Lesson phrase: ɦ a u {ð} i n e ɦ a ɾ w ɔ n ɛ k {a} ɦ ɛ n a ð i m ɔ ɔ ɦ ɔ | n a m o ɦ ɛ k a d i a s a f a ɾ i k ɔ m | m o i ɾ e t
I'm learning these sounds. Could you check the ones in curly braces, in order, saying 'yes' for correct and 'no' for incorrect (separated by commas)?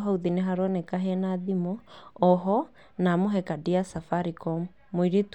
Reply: yes, yes